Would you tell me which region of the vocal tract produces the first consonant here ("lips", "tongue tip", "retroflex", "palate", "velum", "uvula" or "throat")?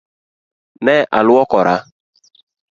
tongue tip